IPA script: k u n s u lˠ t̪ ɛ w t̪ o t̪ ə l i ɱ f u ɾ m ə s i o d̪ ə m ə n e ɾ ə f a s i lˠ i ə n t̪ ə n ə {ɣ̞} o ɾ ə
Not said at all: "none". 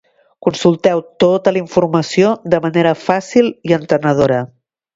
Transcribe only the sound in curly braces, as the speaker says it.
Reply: ð̞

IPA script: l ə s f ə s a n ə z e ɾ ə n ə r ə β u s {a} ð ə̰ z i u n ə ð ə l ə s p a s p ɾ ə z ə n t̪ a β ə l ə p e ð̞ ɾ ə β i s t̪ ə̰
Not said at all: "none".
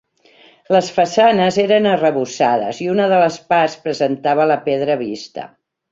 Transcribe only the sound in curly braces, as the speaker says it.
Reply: a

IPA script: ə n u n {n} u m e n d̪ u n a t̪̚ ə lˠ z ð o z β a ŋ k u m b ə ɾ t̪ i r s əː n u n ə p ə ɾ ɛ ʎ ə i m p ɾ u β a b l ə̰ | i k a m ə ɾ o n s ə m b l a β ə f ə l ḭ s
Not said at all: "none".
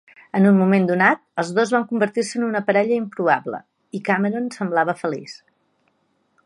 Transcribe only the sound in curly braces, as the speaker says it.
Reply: m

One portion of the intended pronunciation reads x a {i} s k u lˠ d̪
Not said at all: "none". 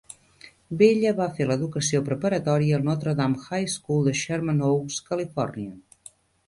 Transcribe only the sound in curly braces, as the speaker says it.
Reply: j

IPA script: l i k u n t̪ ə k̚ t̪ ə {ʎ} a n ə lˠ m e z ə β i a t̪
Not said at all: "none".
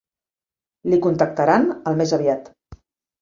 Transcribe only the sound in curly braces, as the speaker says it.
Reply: ɾ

